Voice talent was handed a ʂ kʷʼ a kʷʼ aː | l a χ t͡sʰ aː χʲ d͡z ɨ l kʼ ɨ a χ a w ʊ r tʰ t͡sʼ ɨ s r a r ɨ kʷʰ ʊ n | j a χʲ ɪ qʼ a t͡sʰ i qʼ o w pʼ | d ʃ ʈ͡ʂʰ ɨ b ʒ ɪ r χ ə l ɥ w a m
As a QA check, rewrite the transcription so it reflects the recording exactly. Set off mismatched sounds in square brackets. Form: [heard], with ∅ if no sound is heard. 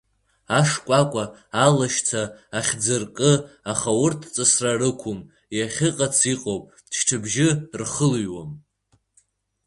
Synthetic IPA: a ʂ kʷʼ a kʷʼ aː | l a [ʃ] t͡sʰ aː χʲ d͡z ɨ [r] kʼ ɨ a χ a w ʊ r tʰ t͡sʼ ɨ s r a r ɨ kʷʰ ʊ [m] | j a χʲ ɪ qʼ a t͡sʰ i qʼ o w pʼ | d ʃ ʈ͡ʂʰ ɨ b ʒ ɪ r χ ə l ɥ w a m